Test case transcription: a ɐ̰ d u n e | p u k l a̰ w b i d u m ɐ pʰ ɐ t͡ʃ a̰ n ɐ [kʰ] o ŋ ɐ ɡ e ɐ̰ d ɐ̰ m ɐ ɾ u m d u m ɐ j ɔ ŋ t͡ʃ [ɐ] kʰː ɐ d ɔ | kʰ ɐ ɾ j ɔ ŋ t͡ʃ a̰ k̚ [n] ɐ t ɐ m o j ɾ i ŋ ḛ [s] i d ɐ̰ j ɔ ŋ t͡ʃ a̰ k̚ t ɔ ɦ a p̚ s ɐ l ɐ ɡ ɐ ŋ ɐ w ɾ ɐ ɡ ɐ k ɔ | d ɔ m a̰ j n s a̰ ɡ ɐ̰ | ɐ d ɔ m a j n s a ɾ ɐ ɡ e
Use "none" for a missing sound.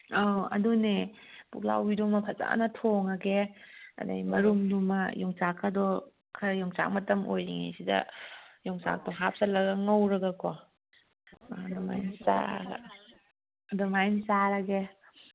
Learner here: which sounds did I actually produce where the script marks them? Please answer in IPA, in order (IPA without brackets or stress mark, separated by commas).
tʰ, a, m, s